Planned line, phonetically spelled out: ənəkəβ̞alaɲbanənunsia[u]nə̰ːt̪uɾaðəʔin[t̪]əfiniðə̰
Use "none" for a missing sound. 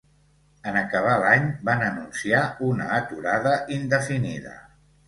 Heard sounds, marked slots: u, d̪

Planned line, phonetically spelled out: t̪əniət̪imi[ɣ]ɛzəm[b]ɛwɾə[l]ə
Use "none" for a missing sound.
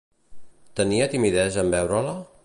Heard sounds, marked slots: ð, b, l

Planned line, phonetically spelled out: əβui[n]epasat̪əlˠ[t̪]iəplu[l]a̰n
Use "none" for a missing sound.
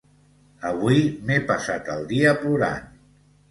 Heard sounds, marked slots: m, d̪, ɾ

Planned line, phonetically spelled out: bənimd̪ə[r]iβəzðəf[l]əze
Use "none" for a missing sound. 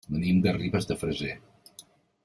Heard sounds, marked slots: r, ɾ

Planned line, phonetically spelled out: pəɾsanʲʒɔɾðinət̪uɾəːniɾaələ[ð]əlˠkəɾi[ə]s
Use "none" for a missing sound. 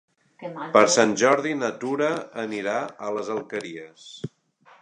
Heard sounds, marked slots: z, ə

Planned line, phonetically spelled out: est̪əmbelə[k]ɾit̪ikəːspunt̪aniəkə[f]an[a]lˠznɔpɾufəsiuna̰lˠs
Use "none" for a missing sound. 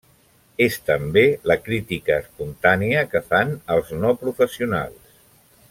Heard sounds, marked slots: k, f, ə

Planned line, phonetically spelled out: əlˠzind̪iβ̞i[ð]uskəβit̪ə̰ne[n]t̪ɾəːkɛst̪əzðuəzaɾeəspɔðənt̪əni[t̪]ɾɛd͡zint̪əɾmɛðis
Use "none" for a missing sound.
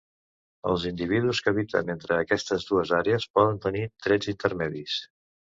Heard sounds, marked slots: ð, n, t̪

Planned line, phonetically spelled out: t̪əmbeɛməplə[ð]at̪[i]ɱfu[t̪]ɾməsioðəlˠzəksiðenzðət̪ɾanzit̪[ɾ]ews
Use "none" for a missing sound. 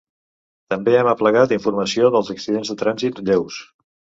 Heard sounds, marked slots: ɣ, i, none, ʎ

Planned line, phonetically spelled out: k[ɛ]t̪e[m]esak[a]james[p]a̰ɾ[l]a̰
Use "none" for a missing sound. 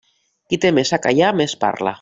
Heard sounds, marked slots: i, m, a, p, l

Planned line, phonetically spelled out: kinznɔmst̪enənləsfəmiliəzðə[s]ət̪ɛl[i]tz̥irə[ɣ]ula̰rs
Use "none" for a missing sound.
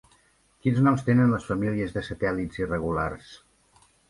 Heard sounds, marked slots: s, i, ɣ

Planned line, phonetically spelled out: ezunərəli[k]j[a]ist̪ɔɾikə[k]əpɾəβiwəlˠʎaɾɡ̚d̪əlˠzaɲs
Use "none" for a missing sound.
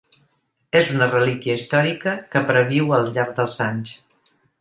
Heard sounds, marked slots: k, ə, k

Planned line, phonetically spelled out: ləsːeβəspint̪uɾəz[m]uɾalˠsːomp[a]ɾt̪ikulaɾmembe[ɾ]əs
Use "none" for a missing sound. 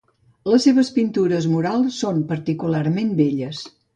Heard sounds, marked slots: m, ə, ʎ

